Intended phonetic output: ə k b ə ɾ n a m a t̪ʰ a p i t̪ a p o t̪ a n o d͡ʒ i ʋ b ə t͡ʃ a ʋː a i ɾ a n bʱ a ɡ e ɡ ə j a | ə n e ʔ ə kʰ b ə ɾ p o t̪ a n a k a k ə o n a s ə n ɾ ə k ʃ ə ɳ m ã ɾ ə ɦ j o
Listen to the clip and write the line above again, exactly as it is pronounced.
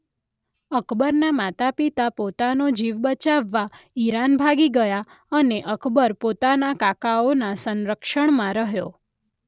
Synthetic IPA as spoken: ə k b ə ɾ n a m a t̪ a p i t̪ a p o t̪ a n o d͡ʒ i ʋ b ə t͡ʃ a ʋː a i ɾ a n bʱ a ɡ i ɡ ə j a | ə n e ʔ ə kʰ b ə ɾ p o t̪ a n a k a k a o n a s ə n ɾ ə k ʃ ə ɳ m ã ɾ ə ɦ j o